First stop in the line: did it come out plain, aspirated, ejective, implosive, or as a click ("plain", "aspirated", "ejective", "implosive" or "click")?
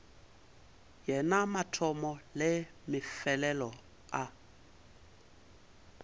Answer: aspirated